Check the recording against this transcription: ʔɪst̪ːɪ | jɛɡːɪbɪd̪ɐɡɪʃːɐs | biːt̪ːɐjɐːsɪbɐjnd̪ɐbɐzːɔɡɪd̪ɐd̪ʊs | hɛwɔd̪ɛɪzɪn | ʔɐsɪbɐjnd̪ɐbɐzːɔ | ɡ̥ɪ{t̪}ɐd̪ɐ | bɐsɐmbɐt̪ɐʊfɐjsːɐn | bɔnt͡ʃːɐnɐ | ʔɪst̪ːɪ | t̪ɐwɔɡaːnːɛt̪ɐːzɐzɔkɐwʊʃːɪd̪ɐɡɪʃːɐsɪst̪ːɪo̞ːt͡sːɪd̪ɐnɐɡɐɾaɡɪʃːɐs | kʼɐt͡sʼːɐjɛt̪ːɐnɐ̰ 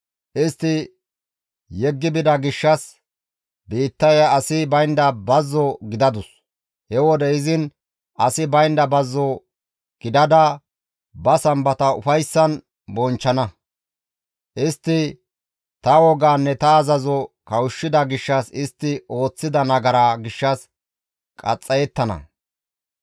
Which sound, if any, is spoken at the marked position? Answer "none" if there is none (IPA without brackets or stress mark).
d̪